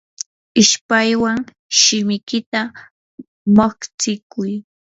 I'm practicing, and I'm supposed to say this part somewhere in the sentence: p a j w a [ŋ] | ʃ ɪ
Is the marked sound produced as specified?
yes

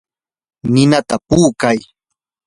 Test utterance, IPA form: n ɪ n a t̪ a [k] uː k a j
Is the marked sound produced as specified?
no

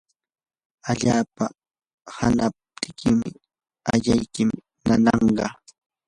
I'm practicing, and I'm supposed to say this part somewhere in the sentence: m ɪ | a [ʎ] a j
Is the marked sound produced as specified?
yes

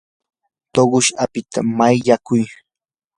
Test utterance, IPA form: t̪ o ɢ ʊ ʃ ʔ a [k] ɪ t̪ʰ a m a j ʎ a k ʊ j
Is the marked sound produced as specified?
no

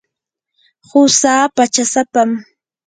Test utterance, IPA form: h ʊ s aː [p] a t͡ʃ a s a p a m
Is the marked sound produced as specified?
yes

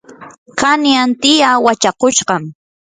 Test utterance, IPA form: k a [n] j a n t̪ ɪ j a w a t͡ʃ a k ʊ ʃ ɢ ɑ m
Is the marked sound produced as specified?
yes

